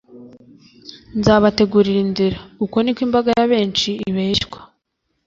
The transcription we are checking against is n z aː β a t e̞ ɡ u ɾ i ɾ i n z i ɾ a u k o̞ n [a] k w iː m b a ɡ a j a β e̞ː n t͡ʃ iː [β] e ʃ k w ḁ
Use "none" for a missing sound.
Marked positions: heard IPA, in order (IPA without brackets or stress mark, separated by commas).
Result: i, β